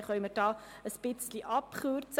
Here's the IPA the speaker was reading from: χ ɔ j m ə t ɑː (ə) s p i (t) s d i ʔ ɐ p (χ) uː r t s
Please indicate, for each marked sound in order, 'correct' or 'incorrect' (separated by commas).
correct, correct, correct